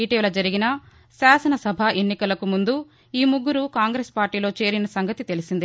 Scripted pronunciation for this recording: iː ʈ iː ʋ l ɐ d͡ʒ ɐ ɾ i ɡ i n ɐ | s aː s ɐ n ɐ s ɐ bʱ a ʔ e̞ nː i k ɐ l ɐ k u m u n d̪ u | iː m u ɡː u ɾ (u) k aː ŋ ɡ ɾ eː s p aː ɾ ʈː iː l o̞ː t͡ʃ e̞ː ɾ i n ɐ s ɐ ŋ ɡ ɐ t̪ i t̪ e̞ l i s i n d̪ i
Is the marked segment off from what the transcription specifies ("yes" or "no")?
no